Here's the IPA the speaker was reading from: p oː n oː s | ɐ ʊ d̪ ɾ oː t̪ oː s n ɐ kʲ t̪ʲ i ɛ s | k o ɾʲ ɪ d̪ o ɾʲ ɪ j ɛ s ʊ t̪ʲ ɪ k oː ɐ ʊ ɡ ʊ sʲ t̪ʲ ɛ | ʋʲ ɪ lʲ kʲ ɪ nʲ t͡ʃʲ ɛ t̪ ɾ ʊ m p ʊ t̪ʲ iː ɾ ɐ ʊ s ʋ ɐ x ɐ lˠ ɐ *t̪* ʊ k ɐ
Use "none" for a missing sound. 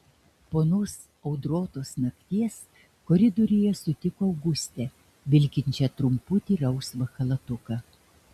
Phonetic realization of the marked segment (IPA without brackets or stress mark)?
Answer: t̪